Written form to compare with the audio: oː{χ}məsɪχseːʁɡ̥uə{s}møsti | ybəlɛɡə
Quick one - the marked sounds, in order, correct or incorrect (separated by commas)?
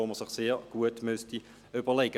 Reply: incorrect, incorrect